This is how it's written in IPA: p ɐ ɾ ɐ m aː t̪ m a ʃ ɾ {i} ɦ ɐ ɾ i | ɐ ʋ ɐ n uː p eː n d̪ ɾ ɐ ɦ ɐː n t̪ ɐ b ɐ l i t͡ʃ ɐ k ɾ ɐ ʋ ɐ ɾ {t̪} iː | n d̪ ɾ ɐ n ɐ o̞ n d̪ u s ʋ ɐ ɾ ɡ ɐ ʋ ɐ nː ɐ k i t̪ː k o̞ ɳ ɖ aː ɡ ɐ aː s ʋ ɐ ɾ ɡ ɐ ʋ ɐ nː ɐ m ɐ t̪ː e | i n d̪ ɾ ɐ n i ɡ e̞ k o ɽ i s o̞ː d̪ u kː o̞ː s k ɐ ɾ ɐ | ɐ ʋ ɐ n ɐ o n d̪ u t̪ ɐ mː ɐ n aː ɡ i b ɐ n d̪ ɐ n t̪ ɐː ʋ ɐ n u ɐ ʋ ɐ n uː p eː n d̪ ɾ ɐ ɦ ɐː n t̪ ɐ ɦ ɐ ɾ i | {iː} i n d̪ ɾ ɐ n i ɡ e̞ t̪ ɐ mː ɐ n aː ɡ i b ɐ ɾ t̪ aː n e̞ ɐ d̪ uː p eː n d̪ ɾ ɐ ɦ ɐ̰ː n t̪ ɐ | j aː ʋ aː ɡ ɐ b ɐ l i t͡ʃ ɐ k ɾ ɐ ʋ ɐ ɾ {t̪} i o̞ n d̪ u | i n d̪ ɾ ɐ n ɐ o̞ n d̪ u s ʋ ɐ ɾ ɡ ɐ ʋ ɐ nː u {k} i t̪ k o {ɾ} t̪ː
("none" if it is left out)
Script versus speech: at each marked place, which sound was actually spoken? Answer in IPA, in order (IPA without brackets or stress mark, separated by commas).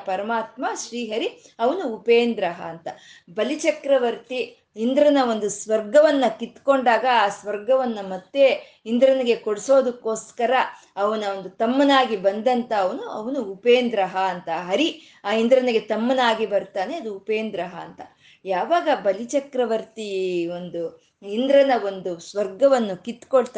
iː, t̪, aː, t̪, k, ɭ